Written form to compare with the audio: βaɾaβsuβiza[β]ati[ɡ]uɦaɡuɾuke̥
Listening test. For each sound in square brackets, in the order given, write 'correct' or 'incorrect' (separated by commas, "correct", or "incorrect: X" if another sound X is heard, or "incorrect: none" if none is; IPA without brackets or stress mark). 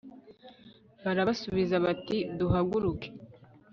correct, incorrect: d